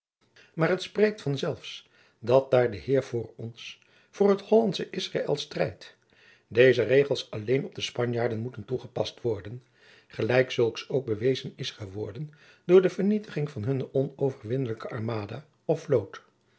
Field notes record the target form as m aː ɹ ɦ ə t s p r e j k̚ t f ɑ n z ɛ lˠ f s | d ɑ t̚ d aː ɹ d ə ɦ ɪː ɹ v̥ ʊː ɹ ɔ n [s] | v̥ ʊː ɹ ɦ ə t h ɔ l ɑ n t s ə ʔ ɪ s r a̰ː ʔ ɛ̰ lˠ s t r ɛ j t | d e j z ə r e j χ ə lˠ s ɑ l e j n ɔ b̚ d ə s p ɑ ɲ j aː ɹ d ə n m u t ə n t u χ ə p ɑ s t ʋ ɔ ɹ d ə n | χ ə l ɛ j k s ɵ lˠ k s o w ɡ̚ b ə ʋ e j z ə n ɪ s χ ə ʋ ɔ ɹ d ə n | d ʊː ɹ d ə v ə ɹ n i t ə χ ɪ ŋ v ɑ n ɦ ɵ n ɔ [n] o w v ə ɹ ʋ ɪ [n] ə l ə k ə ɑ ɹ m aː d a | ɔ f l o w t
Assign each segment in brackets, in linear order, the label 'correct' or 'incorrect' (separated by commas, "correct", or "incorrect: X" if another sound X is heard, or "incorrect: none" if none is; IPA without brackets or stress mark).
correct, correct, correct